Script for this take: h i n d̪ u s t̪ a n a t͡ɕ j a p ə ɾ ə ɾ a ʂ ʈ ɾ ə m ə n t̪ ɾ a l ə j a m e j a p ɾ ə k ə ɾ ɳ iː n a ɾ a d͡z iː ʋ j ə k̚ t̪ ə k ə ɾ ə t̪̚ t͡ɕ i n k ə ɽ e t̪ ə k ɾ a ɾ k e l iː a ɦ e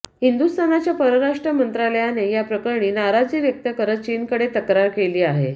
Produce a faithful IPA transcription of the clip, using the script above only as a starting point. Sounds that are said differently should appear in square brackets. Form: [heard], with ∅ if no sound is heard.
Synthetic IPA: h i n d̪ u s t̪ a n a t͡ɕ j a p ə ɾ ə ɾ a ʂ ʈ ɾ ə m ə n t̪ ɾ a l ə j a [n] e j a p ɾ ə k ə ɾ ɳ iː n a ɾ a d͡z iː ʋ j ə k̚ t̪ ə k ə ɾ ə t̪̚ t͡ɕ i n k ə ɽ e t̪ ə k ɾ a ɾ k e l iː a ɦ e